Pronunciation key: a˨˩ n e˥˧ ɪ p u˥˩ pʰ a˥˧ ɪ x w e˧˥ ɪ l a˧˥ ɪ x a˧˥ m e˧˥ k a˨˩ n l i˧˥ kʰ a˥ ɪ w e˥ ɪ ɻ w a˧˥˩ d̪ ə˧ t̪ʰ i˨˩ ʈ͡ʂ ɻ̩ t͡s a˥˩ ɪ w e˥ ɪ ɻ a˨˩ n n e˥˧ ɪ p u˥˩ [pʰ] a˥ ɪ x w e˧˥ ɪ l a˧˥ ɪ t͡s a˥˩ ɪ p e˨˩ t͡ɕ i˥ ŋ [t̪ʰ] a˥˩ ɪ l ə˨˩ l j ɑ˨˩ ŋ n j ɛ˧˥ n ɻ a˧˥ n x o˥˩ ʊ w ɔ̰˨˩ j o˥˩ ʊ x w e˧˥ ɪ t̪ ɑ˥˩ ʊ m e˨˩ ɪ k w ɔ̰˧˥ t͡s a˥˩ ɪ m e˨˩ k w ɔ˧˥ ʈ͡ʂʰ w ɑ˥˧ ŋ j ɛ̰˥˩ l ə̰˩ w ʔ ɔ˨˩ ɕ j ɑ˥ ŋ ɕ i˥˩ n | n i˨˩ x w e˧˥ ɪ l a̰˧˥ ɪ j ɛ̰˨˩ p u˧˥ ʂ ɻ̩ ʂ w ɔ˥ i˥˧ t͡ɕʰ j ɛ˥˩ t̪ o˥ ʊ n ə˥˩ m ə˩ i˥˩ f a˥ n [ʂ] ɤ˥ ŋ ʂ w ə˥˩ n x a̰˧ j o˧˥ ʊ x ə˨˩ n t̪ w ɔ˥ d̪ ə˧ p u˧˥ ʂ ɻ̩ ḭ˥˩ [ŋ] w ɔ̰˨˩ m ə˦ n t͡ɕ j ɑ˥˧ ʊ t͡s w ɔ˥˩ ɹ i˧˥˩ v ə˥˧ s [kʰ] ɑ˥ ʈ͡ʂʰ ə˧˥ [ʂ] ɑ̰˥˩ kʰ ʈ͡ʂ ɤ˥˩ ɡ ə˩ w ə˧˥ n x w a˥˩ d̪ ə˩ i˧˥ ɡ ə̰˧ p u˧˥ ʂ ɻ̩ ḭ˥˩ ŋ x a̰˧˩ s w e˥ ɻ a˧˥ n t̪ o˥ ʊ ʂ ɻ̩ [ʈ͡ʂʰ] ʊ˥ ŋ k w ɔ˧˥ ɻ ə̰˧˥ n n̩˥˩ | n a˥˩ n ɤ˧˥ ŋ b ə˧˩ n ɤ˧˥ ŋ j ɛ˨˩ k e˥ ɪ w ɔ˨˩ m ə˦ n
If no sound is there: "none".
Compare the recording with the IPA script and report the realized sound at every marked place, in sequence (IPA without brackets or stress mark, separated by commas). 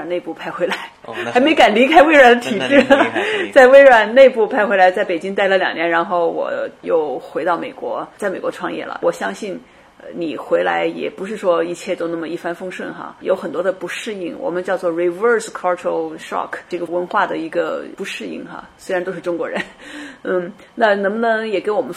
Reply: pʰ, t̪, f, ŋ, kʰ, ʂ, ʈ͡ʂ